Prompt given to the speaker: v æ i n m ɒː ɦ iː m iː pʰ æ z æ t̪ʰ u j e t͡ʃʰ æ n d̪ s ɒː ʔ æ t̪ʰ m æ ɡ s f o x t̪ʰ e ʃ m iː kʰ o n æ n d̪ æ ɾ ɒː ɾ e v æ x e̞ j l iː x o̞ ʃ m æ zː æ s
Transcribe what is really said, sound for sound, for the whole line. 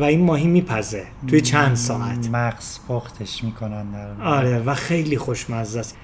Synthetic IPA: v æ i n m ɒː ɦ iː m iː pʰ æ z e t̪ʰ u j e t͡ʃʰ æ n d̪ s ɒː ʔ æ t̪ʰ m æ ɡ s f o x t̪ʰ e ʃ m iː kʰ o n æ n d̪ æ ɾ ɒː ɾ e v æ x e̞ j l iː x o̞ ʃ m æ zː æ s